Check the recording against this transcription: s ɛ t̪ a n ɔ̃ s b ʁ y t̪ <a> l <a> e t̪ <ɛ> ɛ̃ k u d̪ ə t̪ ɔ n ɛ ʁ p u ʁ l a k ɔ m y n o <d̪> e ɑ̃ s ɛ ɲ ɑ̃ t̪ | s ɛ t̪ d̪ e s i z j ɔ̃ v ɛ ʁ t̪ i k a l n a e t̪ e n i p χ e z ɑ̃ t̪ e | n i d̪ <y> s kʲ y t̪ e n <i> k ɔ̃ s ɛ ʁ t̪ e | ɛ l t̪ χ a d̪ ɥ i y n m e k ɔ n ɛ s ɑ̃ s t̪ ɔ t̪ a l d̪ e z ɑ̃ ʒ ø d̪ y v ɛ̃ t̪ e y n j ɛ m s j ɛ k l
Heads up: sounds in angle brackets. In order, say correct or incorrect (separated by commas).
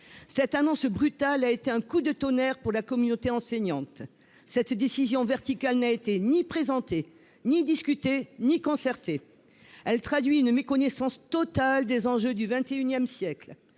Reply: correct, correct, incorrect, incorrect, incorrect, correct